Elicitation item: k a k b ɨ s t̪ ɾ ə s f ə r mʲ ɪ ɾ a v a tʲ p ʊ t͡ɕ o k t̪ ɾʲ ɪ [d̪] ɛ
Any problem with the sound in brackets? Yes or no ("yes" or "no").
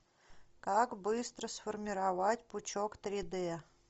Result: no